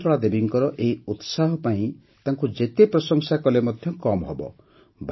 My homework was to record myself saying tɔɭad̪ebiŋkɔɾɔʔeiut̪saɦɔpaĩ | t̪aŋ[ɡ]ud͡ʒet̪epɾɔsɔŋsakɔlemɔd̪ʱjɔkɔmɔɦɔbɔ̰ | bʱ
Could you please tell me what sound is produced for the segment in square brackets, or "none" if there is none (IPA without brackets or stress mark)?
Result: k